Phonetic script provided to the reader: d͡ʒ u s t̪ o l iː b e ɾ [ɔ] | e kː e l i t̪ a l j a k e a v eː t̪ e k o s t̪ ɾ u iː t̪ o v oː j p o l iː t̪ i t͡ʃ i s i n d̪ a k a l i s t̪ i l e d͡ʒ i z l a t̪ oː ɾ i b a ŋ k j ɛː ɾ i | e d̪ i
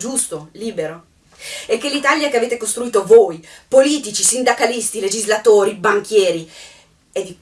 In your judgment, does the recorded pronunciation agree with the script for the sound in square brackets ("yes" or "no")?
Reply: no